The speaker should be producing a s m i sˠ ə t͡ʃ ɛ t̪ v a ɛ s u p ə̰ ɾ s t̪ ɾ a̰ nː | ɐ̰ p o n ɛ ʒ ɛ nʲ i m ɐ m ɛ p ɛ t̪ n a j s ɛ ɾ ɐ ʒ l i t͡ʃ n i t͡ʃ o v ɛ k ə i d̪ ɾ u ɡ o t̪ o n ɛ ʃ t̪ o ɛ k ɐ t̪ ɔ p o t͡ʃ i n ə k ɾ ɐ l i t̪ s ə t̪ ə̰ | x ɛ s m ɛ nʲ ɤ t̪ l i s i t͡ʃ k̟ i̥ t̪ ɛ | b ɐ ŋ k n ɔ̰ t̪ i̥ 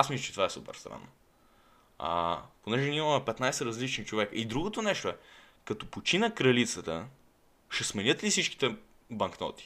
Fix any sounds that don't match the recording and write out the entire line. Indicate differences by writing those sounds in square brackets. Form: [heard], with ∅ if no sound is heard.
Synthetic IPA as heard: a s m i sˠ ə t͡ʃ ɛ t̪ v a ɛ s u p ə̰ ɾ s t̪ ɾ a̰ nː | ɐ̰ p o n ɛ ʒ ɛ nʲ i m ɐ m ɛ p ɛ t̪ n a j s ɛ ɾ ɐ [z] l i t͡ʃ n i t͡ʃ o v ɛ k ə i d̪ ɾ u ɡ o t̪ o n ɛ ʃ t̪ o ɛ k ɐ t̪ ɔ p o t͡ʃ i n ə k ɾ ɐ l i t̪ s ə t̪ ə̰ | [ʃ] ɛ s m ɛ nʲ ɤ t̪ l i s i t͡ʃ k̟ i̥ t̪ ɛ | b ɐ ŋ k n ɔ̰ t̪ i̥